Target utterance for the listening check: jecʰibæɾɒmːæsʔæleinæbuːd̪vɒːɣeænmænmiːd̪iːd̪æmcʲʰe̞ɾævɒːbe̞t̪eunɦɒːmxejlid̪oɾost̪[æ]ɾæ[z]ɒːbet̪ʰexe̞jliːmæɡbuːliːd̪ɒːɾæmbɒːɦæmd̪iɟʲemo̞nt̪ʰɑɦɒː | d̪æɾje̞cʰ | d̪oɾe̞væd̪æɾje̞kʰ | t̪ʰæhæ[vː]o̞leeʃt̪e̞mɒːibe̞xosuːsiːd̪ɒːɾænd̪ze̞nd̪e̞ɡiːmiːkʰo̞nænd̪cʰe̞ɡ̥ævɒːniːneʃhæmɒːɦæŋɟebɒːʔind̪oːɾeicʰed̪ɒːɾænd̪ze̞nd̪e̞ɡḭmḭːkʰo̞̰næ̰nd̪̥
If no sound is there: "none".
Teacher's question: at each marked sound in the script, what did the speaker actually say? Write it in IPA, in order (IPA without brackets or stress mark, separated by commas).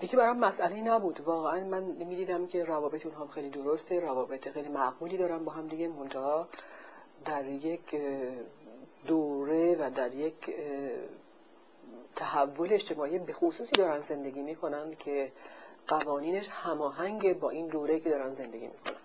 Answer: e, v, vː